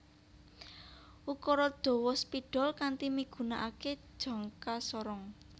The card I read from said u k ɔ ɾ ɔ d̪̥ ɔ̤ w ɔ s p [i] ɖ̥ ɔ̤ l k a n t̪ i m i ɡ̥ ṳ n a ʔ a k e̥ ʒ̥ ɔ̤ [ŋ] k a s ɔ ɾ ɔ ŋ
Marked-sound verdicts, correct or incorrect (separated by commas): correct, correct